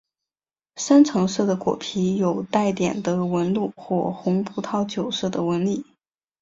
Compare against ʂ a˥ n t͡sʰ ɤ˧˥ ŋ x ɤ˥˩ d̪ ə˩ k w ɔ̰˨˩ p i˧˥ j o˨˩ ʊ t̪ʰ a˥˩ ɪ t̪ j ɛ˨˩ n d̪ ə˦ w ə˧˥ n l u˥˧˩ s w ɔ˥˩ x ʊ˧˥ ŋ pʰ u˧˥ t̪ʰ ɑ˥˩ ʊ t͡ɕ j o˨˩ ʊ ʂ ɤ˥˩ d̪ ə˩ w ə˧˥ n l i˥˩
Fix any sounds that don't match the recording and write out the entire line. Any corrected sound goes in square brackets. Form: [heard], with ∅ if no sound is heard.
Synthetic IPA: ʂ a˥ n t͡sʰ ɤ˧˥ ŋ [ʂ] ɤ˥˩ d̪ ə˩ k w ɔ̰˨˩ [pʰ] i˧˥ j o˨˩ ʊ [t̪] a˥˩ ɪ t̪ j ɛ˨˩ n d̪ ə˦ w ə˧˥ n l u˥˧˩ [x] w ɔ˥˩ x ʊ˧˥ ŋ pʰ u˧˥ t̪ʰ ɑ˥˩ ʊ t͡ɕ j o˨˩ ʊ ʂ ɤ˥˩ d̪ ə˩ w ə˧˥ n l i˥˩